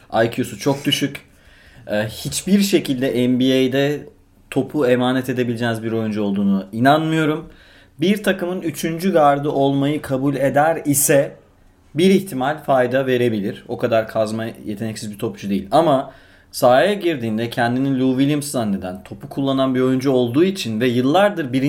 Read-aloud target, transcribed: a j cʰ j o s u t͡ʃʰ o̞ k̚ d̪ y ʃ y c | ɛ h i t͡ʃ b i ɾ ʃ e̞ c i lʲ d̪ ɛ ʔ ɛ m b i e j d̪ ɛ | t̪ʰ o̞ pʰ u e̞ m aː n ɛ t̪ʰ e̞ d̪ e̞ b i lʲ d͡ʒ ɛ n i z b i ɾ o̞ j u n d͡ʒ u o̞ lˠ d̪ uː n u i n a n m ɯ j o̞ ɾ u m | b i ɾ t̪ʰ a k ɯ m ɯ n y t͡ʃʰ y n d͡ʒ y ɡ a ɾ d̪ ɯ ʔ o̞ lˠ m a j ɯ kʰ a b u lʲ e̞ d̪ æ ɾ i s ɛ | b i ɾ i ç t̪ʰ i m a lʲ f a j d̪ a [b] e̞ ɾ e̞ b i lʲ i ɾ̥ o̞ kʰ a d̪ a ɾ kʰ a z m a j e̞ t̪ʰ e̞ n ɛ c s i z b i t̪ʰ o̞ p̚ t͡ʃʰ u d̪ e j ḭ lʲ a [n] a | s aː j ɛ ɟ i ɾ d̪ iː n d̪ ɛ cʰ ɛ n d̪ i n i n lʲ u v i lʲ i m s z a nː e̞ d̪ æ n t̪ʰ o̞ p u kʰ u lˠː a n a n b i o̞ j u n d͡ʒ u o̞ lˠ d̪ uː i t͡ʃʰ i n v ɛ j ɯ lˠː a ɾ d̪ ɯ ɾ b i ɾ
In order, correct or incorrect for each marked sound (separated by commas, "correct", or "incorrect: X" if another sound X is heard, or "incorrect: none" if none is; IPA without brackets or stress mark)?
incorrect: v, incorrect: m